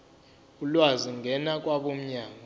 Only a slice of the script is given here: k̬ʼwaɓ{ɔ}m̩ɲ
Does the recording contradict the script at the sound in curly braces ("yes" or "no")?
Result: yes